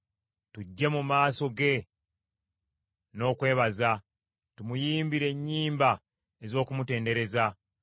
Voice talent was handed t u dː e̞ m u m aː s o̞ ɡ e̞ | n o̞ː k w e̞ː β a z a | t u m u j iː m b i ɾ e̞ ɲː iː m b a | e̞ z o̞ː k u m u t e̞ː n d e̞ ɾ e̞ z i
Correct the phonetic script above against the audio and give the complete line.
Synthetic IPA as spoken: t u ɟː e̞ m u m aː s o̞ ɡ e̞ | n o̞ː k w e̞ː β a z a | t u m u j iː m b i ɾ e̞ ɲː iː m b a | e̞ z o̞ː k u m u t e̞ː n d e̞ ɾ e̞ z a